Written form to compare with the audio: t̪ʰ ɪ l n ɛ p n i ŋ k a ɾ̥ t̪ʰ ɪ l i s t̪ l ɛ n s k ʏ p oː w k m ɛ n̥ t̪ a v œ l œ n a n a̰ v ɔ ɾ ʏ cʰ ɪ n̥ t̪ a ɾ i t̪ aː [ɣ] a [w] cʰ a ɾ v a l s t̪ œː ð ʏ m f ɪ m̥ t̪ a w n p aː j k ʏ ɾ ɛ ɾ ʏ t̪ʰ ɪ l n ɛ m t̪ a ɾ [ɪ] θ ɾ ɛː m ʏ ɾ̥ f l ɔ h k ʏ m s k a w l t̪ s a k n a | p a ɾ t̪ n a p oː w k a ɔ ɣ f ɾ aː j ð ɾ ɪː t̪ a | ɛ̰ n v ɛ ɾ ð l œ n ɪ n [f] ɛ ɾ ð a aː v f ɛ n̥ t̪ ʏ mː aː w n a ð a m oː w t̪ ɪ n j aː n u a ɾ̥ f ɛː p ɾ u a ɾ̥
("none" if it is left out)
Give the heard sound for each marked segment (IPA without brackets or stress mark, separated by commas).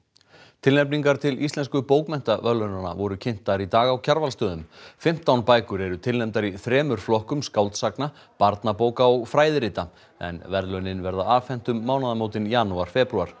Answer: ɣ, w, i, v